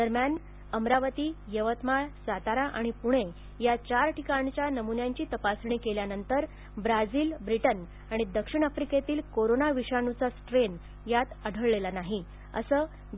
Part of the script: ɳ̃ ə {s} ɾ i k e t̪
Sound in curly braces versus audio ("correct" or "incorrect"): incorrect